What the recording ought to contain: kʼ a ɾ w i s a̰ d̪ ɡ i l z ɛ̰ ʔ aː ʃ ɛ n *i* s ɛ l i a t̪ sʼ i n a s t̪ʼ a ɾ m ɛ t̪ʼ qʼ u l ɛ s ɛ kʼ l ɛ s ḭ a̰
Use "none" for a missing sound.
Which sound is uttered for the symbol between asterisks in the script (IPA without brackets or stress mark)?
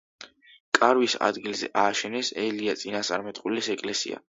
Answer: ɛ